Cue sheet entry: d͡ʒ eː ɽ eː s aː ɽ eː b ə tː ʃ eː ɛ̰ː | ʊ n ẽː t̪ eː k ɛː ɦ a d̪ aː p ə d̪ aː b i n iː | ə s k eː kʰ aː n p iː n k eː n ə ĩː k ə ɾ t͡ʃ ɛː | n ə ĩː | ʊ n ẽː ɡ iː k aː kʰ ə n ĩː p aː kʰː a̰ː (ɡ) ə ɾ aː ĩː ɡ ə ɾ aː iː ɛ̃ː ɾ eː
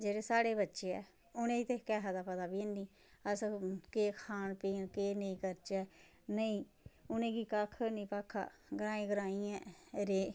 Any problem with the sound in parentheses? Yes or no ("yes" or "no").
no